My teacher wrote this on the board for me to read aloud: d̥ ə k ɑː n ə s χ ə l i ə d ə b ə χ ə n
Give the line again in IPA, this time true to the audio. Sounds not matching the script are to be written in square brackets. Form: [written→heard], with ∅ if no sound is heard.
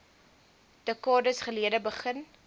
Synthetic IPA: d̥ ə k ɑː [n→d] ə s χ ə l i ə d ə b ə χ ə n